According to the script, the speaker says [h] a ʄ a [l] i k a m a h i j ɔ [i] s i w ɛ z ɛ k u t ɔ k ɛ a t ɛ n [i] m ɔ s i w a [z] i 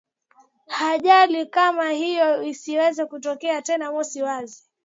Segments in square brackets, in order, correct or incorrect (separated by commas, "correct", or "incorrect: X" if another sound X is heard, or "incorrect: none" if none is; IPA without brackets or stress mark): correct, correct, correct, incorrect: a, correct